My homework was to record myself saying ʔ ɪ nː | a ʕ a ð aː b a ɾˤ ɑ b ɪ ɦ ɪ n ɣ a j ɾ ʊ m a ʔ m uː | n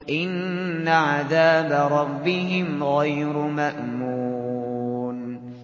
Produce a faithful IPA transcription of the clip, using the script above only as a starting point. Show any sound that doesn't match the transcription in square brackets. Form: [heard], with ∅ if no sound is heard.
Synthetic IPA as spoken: ʔ ɪ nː | a ʕ a ð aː b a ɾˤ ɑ [bː] ɪ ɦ ɪ [m] ɣ a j ɾ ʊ m a ʔ m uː | n